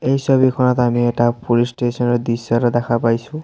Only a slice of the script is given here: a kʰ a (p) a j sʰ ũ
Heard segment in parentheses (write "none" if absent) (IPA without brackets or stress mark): p